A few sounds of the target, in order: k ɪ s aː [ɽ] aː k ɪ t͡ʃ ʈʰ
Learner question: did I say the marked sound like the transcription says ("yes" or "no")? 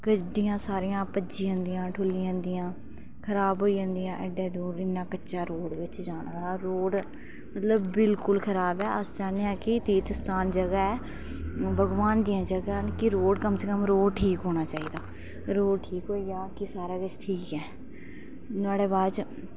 no